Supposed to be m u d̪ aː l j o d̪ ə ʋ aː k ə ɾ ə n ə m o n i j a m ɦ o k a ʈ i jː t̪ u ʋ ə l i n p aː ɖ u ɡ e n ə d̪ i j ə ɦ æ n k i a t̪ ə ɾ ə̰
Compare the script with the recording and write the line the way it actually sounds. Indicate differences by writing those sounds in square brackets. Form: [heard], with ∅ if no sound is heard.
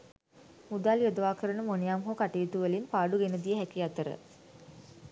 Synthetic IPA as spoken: m u d̪ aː l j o d̪ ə ʋ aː k ə ɾ ə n ə m o n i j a m ɦ o k a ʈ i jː t̪ u ʋ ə l i n p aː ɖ u ɡ e n ə d̪ i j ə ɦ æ [∅] k i a t̪ ə ɾ ə̰